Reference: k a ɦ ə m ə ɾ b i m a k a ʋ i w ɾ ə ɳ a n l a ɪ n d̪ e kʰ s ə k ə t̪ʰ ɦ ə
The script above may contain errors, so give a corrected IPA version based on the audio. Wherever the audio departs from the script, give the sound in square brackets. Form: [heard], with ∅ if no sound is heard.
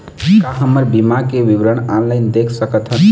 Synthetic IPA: k a ɦ ə m ə ɾ b i m a k [e] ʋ i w ɾ ə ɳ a n l a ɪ n d̪ e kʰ s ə k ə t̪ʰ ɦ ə

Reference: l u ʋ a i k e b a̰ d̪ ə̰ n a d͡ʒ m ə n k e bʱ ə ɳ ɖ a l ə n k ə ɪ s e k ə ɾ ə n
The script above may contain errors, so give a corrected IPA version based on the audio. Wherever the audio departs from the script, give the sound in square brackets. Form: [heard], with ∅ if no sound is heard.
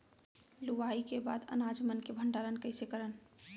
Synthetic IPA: l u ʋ a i k e b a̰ d̪ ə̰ n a d͡ʒ m ə n k e bʱ ə ɳ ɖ a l ə n k ə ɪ s e k ə ɾ ə n

